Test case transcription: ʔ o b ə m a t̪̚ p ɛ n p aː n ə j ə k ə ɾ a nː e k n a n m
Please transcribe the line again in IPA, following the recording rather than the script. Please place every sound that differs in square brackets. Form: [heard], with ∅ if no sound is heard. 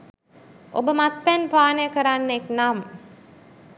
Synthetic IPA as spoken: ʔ o b ə m a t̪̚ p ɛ n p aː n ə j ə k ə ɾ a nː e k n a [∅] m